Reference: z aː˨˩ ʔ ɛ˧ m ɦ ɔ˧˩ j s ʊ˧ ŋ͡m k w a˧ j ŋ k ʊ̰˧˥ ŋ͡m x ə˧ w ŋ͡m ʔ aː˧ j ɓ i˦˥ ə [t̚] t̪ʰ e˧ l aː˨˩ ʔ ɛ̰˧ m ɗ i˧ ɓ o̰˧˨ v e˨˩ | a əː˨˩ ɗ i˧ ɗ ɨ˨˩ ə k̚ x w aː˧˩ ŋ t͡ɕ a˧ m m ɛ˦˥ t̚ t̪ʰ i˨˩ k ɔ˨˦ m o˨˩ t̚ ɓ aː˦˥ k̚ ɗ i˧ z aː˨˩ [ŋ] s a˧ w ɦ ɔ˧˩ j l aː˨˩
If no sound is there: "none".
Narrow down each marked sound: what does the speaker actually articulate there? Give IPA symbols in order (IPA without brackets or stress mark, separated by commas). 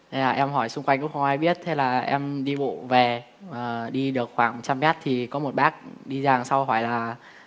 t̚, ŋ